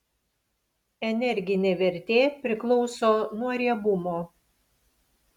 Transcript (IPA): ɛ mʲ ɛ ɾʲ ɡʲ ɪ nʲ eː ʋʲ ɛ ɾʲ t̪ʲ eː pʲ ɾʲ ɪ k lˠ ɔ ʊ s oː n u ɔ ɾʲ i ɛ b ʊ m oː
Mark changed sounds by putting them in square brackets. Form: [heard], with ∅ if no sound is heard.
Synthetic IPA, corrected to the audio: ɛ [nʲ] ɛ ɾʲ ɡʲ ɪ nʲ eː ʋʲ ɛ ɾʲ t̪ʲ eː pʲ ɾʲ ɪ k lˠ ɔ ʊ s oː n u ɔ ɾʲ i ɛ b ʊ m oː